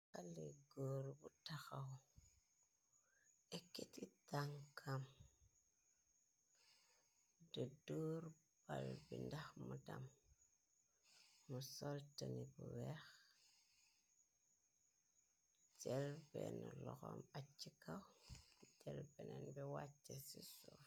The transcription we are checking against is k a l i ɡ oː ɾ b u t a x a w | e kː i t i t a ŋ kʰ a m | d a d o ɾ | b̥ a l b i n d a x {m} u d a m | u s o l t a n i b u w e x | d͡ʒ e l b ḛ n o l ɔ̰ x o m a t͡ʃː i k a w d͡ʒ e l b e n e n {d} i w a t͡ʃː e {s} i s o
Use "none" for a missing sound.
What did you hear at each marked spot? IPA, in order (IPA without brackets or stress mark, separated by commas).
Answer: m, b, s